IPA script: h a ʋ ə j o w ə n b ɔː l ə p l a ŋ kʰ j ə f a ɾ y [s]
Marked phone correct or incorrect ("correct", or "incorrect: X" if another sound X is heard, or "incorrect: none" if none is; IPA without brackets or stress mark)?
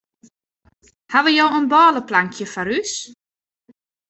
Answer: correct